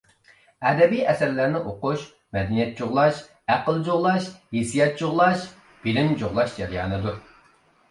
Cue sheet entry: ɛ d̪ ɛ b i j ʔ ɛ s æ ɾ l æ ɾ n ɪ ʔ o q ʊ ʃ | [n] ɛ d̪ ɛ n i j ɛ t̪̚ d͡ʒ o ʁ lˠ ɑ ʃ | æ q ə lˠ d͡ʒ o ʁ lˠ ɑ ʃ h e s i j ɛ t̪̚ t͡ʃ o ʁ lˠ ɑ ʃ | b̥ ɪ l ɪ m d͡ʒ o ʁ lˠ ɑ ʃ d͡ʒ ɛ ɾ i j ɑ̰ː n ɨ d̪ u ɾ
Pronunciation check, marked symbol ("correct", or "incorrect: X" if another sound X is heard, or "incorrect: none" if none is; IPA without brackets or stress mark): incorrect: m